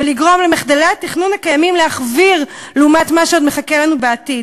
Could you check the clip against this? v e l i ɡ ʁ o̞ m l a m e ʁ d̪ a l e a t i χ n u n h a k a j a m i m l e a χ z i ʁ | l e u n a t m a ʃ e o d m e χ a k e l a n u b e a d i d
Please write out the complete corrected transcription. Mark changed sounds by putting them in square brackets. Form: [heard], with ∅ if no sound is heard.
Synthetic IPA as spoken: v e l i ɡ ʁ o̞ m l [e] m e [χ] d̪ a l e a t i χ n u n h a k a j a m i m l e a χ [v] i ʁ | l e u [m] a t m a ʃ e o d m e χ a k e l a n u b e a [t] i d